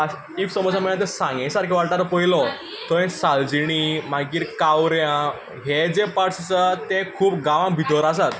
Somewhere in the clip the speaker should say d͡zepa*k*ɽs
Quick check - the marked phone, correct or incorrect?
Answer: incorrect